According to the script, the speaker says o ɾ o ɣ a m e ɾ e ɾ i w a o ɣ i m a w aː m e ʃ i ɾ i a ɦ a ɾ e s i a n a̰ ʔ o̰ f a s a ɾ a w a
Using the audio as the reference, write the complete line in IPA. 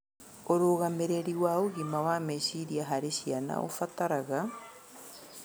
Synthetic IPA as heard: o ɾ o ɣ a m e ɾ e ɾ i w a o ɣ i m a w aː m e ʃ i ɾ i a ɦ a ɾ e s i a n a̰ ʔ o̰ f a t a ɾ a ɣ a